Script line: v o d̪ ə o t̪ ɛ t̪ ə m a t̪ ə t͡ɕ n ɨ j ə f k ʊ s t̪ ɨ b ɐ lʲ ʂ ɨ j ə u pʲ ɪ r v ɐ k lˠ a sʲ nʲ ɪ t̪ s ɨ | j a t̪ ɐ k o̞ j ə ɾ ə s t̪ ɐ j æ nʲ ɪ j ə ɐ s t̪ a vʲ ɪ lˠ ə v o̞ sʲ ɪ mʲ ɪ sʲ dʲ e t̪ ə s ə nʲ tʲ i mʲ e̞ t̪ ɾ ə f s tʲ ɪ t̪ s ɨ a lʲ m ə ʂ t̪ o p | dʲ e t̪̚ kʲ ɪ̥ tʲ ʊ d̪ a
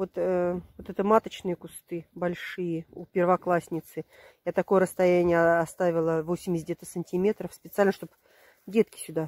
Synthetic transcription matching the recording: v o t̪ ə o t̪ ɛ t̪ ə m a t̪ ə t͡ɕ n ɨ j ə k ʊ s t̪ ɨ b ɐ lʲ ʂ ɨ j ə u pʲ ɪ r v ɐ k lˠ a sʲ nʲ ɪ t̪ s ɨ | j a t̪ ɐ k o̞ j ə ɾ ə s t̪ ɐ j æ nʲ ɪ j ə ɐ s t̪ a vʲ ɪ lˠ ə v o̞ sʲ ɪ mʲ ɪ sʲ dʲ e t̪ ə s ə nʲ tʲ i mʲ e̞ t̪ ɾ ə f s pʲ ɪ t̪ s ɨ a lʲ n ə ʂ t̪ o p | dʲ e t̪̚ kʲ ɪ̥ sʲ ʊ d̪ a